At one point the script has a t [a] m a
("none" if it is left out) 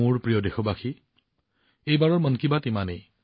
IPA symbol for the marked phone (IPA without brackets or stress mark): i